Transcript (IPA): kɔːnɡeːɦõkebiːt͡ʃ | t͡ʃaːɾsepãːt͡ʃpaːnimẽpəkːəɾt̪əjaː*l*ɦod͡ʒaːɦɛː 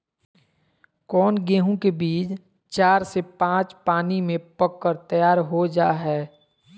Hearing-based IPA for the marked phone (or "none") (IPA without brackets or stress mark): ɾ